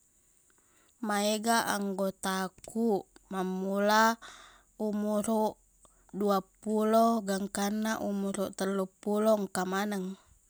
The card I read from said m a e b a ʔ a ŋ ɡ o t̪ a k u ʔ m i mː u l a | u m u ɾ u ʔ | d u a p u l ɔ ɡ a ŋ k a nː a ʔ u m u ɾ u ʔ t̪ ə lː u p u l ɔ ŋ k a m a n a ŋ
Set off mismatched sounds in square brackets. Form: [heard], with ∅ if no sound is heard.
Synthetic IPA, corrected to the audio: m a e [ɡ] a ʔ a ŋ ɡ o t̪ a k u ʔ m [a] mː u l a | u m u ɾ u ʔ | d u a p u l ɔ ɡ a ŋ k a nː a ʔ u m u ɾ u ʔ t̪ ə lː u p u l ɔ ŋ k a m a n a ŋ